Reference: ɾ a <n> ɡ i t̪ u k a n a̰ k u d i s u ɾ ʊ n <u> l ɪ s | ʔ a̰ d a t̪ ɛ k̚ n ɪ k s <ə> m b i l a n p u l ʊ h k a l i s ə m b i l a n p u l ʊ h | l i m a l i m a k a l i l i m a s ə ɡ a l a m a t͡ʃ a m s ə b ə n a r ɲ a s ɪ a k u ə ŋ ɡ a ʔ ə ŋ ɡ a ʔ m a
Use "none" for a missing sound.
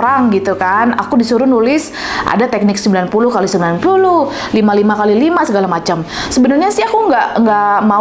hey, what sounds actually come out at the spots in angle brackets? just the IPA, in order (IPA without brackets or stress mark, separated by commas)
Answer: ŋ, u, ə